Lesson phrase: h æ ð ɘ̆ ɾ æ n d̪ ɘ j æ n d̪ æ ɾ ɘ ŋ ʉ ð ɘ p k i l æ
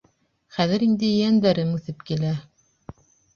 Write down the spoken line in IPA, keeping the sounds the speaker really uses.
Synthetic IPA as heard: χ æ ð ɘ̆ ɾ i n d̪ ɘ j æ n d̪ æ ɾ ɘ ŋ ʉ θ ɘ p k i l æ